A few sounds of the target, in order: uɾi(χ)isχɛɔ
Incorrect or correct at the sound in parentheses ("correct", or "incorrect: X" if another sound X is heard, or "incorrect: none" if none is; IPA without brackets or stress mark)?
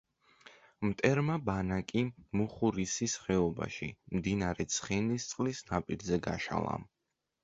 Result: incorrect: s